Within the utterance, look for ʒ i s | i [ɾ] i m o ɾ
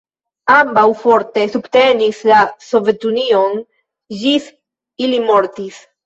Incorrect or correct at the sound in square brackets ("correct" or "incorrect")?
incorrect